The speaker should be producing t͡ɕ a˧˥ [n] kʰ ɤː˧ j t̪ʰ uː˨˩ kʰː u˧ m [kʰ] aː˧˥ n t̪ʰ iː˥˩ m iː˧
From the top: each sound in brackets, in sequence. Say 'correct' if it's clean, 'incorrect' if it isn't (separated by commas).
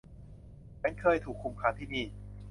correct, correct